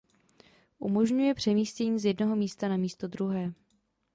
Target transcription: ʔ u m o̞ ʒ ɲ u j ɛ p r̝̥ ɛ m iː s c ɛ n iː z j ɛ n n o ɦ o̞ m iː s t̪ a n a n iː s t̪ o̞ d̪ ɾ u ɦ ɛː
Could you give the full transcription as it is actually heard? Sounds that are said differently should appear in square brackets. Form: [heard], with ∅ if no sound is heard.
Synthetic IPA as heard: ʔ u m o̞ ʒ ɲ u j ɛ p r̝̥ ɛ m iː s c ɛ [ɲ] iː z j ɛ [d] n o ɦ o̞ m iː s t̪ a n a [m] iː s t̪ o̞ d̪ ɾ u ɦ ɛː